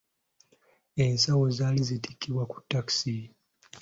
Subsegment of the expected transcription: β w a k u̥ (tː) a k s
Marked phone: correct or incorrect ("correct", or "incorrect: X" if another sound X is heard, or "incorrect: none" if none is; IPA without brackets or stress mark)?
correct